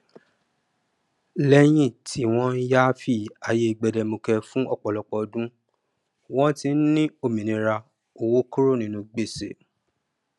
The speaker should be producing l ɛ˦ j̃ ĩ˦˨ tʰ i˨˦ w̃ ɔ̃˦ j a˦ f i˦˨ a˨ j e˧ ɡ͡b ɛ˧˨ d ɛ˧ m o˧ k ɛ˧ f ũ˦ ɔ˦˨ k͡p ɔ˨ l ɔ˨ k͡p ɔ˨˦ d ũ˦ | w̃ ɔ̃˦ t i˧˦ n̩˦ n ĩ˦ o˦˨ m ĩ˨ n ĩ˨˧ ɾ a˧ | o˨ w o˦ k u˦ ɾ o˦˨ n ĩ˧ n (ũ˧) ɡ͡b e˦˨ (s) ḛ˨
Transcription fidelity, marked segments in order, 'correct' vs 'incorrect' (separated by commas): correct, correct